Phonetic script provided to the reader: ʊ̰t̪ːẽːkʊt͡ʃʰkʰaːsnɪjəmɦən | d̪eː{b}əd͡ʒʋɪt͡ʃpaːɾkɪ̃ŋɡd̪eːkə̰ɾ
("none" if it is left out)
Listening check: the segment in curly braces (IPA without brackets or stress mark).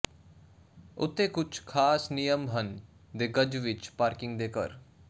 ɡ